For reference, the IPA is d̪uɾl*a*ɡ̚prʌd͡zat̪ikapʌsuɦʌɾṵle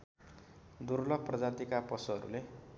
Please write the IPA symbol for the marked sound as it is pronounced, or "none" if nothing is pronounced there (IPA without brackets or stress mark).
ʌ